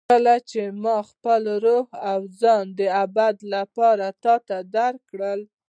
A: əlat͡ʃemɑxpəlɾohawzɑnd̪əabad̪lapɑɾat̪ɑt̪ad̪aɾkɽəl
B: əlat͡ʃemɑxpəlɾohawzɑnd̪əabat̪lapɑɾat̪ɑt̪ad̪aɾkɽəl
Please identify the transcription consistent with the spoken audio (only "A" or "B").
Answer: A